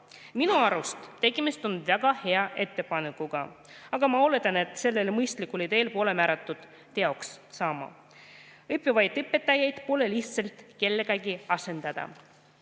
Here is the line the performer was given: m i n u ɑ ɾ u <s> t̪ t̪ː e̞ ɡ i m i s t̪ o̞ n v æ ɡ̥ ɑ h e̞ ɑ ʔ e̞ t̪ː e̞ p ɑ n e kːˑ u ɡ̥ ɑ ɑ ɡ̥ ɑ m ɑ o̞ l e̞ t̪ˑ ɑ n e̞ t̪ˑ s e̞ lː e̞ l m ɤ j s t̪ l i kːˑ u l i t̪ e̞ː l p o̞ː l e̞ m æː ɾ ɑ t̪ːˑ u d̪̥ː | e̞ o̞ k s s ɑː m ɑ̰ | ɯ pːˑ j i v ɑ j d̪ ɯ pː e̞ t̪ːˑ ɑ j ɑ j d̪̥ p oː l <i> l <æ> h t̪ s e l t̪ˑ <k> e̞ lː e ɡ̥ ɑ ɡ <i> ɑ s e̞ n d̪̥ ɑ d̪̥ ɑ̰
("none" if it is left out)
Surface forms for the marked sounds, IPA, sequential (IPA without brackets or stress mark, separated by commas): s, e, i, k, i